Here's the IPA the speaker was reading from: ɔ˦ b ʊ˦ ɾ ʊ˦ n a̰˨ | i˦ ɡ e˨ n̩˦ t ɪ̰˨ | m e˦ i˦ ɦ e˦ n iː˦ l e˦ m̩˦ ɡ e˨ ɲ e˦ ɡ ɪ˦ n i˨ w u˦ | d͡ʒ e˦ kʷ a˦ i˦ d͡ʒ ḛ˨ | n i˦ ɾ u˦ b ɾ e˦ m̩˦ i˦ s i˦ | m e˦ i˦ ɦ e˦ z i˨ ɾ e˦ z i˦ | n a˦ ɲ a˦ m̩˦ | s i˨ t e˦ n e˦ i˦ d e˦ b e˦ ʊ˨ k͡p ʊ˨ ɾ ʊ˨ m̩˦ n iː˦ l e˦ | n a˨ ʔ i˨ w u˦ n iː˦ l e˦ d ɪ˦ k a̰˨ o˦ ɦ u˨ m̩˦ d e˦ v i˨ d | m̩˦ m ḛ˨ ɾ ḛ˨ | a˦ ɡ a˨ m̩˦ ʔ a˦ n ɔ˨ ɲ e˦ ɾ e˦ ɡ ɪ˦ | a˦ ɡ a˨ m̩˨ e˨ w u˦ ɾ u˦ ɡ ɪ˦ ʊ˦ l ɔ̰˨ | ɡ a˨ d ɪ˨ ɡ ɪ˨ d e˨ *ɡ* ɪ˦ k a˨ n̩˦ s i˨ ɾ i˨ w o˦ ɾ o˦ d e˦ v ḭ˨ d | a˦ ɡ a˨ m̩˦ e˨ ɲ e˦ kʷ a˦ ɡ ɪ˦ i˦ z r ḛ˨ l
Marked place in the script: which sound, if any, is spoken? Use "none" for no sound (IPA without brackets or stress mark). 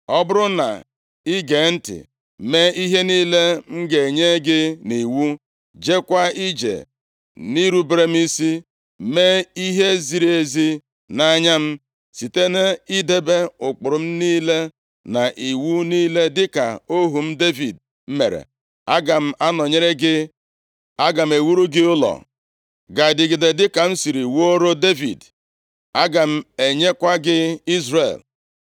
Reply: d